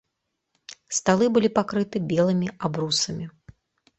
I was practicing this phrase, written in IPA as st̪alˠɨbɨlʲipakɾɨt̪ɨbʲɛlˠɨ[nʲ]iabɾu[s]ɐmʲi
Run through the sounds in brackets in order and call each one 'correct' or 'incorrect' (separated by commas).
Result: incorrect, correct